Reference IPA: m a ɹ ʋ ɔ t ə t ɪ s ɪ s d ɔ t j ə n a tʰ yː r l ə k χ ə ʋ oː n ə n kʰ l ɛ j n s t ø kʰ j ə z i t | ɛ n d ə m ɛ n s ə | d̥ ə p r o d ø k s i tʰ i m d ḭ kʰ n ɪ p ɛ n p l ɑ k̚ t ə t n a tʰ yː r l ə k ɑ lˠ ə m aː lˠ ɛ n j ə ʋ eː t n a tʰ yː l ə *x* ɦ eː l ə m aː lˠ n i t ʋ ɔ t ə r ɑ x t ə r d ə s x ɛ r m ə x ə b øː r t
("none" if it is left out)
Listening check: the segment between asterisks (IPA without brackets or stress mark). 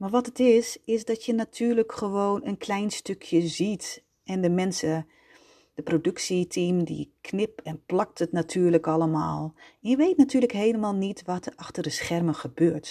k